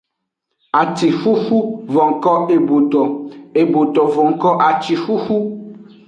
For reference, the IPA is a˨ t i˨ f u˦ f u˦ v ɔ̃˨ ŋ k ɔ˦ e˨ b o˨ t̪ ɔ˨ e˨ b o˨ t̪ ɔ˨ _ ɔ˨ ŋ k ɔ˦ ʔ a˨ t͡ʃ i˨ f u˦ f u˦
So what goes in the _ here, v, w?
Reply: v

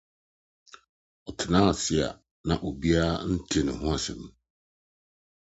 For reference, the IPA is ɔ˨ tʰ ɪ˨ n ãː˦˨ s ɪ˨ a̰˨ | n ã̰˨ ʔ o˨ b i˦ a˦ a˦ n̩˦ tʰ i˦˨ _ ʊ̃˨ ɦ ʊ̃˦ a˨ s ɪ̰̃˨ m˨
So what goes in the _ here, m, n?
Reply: n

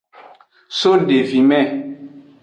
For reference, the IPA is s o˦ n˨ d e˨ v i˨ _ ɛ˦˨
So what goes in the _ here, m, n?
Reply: m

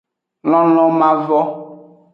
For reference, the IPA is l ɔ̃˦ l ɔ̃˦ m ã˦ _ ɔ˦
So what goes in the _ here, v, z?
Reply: v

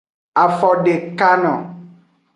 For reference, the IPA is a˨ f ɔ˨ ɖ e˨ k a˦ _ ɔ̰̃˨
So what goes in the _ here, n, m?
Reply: n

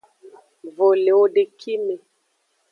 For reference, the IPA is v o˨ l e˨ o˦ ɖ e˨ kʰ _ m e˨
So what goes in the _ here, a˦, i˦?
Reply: i˦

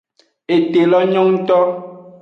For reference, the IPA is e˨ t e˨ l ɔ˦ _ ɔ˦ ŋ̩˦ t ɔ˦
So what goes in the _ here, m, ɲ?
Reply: ɲ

